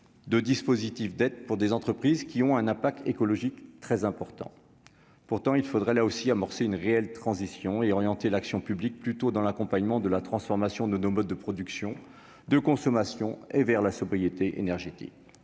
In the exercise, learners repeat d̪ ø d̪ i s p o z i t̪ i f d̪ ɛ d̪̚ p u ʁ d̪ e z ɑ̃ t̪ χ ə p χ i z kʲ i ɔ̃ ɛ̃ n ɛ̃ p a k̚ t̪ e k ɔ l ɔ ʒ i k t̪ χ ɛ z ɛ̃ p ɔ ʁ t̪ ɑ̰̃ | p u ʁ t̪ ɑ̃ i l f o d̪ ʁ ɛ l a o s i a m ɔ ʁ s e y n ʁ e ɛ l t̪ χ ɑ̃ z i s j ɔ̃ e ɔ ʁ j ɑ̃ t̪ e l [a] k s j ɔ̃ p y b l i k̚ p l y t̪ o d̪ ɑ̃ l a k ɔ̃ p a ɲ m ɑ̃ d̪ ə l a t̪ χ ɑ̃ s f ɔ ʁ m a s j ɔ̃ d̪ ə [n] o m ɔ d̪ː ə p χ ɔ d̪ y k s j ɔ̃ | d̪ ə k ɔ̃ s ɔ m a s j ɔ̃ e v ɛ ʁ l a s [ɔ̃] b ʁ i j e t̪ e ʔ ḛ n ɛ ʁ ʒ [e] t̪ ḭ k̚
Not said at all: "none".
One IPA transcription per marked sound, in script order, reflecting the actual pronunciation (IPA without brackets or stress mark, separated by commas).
a, n, ɔ, e